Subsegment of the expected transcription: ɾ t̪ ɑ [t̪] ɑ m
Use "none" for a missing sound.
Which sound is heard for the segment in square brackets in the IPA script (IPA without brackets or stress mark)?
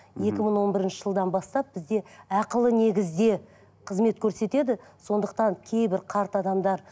d̪